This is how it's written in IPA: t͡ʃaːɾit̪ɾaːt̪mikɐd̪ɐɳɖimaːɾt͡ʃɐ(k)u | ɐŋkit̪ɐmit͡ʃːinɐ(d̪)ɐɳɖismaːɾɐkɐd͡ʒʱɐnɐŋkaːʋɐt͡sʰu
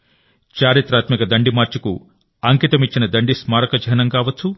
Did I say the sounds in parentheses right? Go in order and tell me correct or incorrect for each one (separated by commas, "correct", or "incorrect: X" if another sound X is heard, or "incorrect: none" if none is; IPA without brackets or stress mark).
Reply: correct, correct